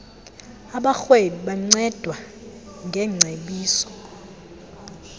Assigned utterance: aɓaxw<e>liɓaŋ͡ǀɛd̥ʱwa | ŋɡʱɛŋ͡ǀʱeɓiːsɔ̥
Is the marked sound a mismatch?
no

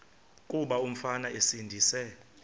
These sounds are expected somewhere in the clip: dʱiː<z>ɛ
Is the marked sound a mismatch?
yes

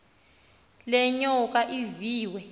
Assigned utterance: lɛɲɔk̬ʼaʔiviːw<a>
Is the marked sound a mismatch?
yes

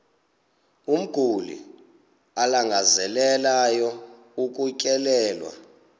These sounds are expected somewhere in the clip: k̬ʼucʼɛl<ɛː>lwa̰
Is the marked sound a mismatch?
no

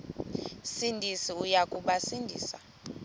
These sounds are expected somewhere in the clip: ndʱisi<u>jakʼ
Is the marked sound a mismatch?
no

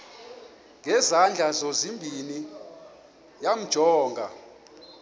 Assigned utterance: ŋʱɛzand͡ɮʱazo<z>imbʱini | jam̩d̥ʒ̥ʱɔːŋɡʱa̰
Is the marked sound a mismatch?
no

